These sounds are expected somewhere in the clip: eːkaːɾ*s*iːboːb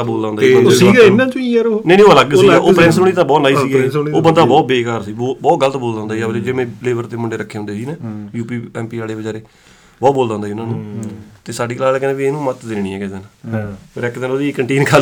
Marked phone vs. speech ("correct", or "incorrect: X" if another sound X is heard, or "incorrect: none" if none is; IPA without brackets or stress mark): correct